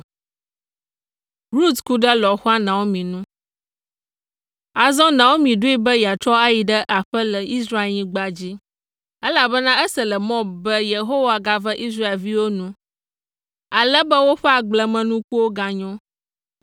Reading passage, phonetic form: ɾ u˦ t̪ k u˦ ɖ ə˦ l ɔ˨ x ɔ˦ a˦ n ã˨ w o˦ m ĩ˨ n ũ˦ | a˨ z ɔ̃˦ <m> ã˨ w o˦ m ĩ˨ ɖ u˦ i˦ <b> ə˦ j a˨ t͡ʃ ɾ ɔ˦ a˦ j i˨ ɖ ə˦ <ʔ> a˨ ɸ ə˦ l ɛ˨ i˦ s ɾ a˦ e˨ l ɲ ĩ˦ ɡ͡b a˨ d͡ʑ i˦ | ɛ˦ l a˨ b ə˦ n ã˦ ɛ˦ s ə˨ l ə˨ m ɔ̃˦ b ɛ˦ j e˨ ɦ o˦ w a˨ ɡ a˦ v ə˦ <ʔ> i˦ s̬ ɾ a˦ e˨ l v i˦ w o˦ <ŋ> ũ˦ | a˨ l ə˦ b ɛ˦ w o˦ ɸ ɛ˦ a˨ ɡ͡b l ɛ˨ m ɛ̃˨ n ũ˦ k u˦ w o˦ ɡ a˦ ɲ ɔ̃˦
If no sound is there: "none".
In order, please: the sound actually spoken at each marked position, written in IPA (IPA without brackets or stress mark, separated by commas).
n, b, ʔ, ʔ, n